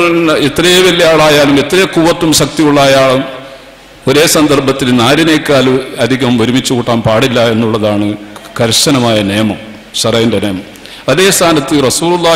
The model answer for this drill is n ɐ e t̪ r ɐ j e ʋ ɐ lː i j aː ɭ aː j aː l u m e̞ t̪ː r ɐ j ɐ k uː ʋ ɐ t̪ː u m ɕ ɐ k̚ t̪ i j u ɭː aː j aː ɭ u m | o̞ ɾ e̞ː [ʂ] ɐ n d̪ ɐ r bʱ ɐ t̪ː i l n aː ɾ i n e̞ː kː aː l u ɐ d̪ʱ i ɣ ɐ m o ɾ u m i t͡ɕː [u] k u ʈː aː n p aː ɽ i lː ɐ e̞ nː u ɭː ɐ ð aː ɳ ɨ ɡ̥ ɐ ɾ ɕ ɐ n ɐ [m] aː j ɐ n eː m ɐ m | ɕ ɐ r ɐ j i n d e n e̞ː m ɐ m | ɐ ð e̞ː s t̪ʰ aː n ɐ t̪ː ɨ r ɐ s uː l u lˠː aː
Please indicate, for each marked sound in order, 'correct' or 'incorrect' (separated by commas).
incorrect, correct, correct